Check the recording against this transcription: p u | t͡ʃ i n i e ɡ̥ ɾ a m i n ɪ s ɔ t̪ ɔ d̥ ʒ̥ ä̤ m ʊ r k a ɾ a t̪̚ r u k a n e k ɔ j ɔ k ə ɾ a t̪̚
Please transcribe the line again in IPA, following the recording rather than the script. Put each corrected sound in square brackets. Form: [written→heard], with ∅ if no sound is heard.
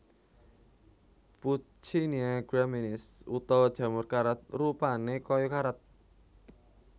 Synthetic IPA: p u | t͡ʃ i n i [e→a] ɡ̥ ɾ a m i n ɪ s [ɔ→u] t̪ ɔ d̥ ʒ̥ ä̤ m ʊ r k a ɾ a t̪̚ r u [k→p] a n e k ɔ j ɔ k [ə→a] ɾ a t̪̚